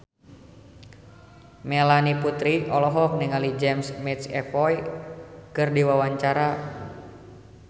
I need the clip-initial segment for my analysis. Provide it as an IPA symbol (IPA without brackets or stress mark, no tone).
m